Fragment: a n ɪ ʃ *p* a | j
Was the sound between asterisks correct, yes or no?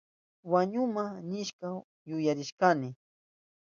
no